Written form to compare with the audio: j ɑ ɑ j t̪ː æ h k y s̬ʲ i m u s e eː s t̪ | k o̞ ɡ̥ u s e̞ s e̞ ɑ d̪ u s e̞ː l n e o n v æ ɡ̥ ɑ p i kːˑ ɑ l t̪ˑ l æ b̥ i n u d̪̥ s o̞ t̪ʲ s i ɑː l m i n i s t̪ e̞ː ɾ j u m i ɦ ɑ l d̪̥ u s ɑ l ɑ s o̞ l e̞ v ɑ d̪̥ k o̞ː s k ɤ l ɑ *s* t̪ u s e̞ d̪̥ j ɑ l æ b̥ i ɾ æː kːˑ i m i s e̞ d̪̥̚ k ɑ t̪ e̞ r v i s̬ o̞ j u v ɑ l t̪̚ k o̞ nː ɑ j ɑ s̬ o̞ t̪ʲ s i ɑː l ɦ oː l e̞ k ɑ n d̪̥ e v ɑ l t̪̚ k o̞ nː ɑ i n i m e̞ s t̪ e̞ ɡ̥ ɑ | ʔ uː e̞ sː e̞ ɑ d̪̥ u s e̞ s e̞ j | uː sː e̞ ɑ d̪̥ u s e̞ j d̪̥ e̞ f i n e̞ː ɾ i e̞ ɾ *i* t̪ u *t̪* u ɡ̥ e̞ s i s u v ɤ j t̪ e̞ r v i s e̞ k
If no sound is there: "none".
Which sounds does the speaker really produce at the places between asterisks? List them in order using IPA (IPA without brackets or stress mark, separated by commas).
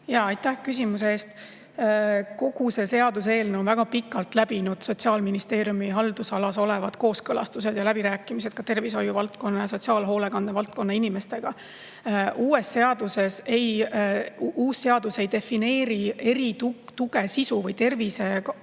s, i, t̪